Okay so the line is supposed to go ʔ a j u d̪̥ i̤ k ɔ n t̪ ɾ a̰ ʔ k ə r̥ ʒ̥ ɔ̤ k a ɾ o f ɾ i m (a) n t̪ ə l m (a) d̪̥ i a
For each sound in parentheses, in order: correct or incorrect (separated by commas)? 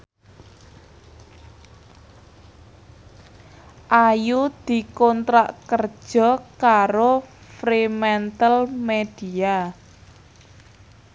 incorrect, incorrect